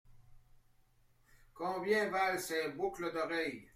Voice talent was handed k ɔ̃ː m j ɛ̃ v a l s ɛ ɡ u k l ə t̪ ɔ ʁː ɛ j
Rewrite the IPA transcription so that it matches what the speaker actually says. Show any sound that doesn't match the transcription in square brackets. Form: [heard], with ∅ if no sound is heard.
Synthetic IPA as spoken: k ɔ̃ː [b] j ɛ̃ v a l s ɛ [b] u k l ə [d̪] ɔ [ʁ] ɛ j